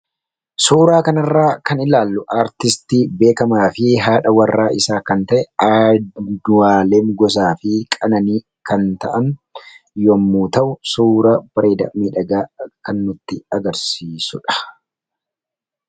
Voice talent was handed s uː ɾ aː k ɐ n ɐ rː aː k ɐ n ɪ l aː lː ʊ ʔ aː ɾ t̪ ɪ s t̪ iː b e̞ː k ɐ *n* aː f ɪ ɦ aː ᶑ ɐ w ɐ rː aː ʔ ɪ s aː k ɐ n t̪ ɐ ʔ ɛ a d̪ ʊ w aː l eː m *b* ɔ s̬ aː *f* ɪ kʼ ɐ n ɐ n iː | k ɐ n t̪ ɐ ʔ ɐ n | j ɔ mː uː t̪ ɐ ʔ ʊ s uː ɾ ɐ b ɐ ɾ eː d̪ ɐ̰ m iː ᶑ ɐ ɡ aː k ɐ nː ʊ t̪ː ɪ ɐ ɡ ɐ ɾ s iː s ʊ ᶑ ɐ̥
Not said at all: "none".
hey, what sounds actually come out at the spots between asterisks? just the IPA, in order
m, ɡ, f

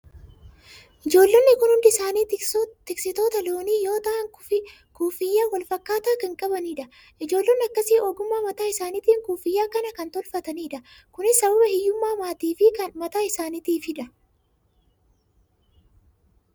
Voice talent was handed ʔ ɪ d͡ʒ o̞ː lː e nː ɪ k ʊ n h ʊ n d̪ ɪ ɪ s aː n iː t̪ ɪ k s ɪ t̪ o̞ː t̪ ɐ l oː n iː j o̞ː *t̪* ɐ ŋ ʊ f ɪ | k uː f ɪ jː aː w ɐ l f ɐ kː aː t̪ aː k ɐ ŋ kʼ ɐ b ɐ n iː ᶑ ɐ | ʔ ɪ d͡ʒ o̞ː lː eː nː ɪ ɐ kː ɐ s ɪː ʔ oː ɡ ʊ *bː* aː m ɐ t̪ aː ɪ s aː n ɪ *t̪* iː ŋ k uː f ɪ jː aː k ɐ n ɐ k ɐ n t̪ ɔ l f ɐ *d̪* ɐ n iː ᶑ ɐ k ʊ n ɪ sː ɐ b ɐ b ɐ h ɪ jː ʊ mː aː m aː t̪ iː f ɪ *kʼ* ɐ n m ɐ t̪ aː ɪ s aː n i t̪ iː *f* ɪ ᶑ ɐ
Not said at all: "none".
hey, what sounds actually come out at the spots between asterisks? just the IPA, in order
t̪, mː, t̪, t̪, k, f

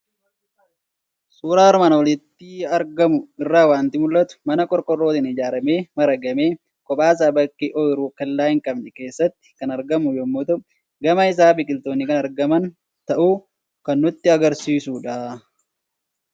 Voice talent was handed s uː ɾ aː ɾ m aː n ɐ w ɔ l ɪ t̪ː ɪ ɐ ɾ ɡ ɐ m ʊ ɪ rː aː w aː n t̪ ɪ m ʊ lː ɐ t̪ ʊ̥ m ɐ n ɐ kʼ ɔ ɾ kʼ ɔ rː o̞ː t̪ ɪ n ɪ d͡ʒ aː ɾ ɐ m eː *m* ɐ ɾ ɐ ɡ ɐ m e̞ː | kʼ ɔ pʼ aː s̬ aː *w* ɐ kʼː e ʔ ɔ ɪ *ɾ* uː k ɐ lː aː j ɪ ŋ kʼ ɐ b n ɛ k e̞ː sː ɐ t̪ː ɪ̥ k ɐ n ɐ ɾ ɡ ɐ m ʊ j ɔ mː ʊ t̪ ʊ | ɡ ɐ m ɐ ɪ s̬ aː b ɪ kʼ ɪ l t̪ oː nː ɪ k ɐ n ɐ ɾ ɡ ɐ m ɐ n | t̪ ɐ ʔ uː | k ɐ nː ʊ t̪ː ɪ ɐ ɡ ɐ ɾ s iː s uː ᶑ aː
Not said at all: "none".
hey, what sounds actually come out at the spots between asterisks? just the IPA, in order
m, b, ɾ

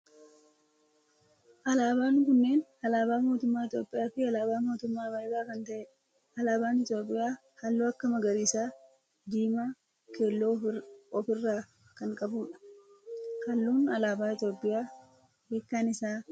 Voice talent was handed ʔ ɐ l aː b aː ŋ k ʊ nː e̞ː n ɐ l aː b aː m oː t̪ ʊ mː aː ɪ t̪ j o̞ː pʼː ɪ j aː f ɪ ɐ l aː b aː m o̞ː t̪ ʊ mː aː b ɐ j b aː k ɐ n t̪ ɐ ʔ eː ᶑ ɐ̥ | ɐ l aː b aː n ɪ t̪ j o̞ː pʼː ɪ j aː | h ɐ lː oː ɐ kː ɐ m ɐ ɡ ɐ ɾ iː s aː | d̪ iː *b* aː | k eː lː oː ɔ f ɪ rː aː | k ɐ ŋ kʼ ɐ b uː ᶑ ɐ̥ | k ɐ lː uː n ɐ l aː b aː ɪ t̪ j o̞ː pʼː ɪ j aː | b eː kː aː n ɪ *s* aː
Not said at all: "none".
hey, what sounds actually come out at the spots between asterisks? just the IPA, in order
m, s

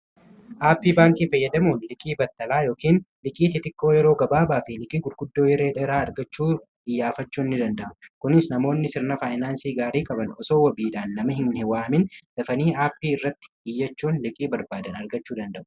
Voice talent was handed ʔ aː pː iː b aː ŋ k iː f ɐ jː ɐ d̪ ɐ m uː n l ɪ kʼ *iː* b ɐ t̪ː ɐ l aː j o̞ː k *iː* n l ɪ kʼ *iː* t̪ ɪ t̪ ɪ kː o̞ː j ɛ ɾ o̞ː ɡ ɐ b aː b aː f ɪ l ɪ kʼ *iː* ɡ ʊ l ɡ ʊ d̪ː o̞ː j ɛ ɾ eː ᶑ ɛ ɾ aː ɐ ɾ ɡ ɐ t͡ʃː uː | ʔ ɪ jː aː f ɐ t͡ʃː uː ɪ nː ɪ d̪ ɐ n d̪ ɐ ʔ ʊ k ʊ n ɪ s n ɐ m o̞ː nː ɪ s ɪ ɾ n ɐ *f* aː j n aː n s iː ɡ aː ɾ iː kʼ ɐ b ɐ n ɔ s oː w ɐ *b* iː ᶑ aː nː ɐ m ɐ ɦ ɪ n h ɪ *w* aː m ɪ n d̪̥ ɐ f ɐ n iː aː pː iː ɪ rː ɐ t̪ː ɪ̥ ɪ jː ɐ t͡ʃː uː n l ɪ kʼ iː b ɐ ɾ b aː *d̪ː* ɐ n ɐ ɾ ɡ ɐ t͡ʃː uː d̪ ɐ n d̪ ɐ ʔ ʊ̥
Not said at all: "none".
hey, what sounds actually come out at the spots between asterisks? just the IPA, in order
iː, iː, iː, iː, f, b, w, d̪

